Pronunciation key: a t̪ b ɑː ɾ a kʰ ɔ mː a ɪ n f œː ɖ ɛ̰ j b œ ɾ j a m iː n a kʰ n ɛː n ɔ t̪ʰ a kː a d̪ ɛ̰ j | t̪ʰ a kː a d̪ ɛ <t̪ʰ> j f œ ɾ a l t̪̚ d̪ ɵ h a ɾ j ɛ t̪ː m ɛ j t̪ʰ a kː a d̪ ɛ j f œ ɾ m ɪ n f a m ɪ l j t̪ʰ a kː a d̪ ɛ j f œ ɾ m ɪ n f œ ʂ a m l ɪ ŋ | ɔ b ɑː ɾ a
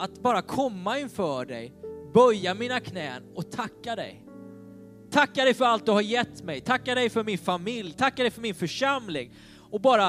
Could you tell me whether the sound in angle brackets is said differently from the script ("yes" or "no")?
yes